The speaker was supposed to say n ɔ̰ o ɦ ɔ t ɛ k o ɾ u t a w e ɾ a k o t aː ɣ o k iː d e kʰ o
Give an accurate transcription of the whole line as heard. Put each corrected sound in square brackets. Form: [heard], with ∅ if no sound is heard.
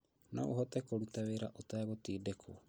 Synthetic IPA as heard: n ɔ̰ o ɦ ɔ t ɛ k o ɾ u t a w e ɾ a [ʔ] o t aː ɣ o [t] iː d e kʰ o

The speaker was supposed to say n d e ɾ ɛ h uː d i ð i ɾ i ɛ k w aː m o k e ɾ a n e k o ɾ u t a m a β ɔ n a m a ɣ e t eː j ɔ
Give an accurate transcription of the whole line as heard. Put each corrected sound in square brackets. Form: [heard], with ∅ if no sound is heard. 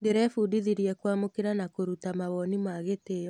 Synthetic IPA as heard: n d e ɾ ɛ [f] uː d i ð i ɾ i ɛ k w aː m o k e ɾ a n [a] k o ɾ u t a m a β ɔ n [i] m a ɣ e t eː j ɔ

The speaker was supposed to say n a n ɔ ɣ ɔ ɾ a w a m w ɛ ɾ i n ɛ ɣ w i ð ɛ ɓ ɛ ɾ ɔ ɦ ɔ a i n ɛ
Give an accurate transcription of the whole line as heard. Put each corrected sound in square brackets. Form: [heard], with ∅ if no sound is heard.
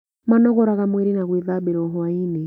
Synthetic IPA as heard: [m] a n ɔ ɣ ɔ ɾ a [ɣ] a m w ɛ ɾ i n [a] ɣ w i ð [a] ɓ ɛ ɾ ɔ ɦ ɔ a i n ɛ

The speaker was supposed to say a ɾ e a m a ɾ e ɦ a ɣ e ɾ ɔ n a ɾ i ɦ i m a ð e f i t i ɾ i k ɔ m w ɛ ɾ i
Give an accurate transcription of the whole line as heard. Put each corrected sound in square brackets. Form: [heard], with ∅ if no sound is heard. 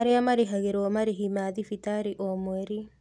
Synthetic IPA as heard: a ɾ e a m a ɾ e ɦ a ɣ e ɾ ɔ [m] a ɾ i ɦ i m a ð [i] f i t [a] ɾ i [ʔ] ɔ m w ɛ ɾ i

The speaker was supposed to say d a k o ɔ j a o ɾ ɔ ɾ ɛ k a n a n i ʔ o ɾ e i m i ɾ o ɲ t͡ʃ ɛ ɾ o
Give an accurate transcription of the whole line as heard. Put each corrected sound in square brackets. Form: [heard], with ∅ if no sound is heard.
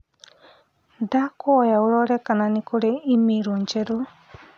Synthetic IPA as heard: d a k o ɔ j a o ɾ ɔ ɾ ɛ k a n a n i [k] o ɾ e i m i ɾ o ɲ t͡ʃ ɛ ɾ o

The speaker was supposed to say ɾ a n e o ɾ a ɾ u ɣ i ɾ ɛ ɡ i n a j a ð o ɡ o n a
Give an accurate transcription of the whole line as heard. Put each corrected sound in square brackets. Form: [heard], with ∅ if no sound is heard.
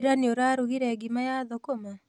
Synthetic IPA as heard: ɾ a n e o ɾ a ɾ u ɣ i ɾ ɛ ɡ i [m] a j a ð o [k] o [m] a

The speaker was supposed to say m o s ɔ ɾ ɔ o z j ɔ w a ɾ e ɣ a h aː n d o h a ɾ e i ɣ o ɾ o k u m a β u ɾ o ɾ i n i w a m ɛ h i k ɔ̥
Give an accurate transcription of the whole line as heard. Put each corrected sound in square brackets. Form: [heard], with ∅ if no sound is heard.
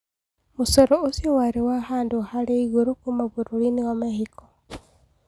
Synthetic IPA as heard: m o s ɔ ɾ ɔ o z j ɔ w a ɾ e [w] a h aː n d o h a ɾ e i ɣ o ɾ o k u m a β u ɾ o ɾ i n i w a m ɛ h i k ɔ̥

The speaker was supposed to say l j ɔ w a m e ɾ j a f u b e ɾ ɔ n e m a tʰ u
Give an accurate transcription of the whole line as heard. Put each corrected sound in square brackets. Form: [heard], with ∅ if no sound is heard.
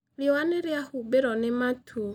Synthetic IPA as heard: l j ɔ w a [n] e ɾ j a [h] u b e ɾ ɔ n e m a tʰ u

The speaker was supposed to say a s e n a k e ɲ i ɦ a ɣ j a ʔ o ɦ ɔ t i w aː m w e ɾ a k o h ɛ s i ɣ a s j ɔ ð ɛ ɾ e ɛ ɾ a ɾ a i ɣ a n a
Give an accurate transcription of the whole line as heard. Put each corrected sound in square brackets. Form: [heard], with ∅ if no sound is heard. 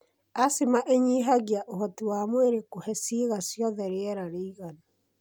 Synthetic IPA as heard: a s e [m] a [ʔ] e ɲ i ɦ a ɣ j a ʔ o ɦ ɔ t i w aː m w e ɾ [e] k o h ɛ s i ɣ a s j ɔ ð ɛ ɾ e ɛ ɾ a ɾ [e] i ɣ a n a

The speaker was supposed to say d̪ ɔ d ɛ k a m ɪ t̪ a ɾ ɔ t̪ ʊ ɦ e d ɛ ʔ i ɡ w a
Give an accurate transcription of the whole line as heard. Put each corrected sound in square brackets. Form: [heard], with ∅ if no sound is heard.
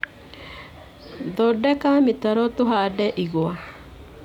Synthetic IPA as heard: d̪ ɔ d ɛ k a m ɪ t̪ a ɾ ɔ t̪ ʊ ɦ [a] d ɛ ʔ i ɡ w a

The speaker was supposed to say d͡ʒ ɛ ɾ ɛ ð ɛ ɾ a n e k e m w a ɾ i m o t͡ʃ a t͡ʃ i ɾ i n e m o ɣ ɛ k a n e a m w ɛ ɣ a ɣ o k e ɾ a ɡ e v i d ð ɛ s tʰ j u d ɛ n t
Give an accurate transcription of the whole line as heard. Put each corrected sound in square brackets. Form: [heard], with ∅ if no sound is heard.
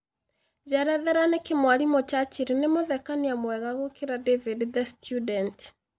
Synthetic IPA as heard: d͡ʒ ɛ ɾ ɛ ð ɛ ɾ a n e k e m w a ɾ i m o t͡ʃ a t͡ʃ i ɾ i n e m o [ð] ɛ k a n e a m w ɛ ɣ a ɣ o k e ɾ a [d] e v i d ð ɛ s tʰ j u d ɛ n t

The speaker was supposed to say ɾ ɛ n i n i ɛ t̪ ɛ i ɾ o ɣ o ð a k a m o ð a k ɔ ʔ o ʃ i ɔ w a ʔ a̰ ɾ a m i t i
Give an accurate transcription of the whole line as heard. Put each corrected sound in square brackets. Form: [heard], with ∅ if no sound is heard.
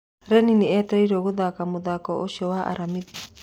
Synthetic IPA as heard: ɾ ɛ n i n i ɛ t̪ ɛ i ɾ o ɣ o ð a k a m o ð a k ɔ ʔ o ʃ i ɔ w a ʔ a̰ ɾ a m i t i

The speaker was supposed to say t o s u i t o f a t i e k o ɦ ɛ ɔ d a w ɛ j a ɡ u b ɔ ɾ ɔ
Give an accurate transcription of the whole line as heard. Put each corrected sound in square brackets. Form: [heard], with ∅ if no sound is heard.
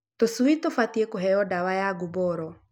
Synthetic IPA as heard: t o s u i t o f a t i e k o ɦ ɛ ɔ d a w [a] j a ɡ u b ɔ ɾ ɔ

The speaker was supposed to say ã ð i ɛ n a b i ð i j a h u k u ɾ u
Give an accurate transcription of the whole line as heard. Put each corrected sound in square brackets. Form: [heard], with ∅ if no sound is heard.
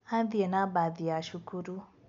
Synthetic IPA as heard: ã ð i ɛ n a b [a] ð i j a [ʃ] u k u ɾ u

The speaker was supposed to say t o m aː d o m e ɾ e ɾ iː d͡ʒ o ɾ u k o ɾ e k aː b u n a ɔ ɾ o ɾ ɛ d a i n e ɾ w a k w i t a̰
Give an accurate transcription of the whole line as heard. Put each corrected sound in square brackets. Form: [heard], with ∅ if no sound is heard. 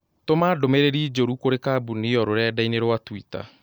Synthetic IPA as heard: t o m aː d o m e ɾ e ɾ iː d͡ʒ o ɾ u k o ɾ e k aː b u n [i] ɔ ɾ o ɾ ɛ d a i n e ɾ w a [t] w i t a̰

